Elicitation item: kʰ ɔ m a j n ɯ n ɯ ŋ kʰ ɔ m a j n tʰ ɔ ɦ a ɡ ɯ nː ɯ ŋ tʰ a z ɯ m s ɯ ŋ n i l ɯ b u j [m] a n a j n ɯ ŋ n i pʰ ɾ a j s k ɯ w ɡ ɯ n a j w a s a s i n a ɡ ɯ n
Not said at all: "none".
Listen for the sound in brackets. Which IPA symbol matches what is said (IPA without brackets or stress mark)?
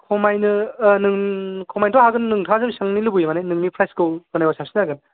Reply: m